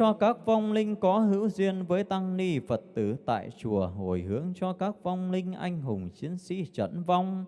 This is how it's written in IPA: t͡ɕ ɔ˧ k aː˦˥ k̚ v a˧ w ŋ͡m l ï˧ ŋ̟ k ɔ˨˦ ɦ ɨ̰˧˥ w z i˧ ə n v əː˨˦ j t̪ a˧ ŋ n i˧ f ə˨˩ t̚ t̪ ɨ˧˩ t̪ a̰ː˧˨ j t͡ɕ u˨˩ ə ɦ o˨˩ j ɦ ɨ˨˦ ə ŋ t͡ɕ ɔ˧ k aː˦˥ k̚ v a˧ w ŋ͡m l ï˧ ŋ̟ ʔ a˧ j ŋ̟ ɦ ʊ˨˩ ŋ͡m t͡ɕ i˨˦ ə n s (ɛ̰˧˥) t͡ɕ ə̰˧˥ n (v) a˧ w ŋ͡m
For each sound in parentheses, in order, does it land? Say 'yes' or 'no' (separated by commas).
no, yes